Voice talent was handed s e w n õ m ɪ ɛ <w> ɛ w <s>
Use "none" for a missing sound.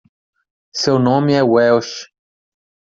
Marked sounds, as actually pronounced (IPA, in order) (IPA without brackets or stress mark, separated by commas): w, ʃ